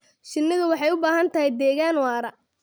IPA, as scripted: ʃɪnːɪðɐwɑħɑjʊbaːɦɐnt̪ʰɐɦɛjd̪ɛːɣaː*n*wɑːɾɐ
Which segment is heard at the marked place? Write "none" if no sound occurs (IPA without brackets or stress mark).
n